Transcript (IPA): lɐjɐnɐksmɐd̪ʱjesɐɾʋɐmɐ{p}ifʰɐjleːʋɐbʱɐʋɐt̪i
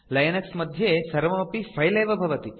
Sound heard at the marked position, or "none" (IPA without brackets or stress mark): p